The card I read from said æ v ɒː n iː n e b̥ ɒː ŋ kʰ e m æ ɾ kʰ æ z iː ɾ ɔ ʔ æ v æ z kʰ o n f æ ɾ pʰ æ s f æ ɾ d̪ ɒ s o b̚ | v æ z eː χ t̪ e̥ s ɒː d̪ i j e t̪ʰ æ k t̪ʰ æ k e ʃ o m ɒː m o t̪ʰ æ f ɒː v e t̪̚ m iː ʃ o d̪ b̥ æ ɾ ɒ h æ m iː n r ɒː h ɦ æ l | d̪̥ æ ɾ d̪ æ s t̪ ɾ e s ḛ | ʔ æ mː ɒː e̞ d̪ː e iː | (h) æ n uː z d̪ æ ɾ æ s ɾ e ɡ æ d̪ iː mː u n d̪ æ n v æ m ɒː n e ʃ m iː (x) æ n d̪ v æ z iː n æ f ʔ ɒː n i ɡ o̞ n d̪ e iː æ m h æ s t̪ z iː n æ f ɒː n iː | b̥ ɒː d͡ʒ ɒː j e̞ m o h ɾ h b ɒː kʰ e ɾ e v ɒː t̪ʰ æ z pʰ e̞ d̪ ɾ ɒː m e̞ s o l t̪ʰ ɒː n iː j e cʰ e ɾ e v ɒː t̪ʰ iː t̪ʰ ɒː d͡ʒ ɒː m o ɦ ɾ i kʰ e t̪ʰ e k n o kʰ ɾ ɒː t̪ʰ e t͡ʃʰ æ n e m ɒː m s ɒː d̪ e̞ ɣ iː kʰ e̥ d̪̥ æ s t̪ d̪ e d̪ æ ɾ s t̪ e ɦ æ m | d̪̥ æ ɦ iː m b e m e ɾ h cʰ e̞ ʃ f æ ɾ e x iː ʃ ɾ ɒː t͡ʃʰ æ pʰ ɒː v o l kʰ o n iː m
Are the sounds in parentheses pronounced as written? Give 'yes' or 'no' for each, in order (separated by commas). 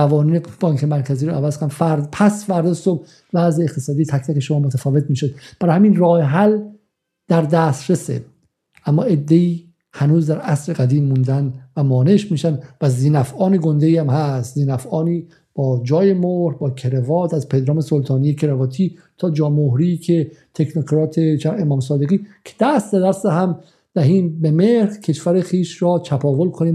yes, no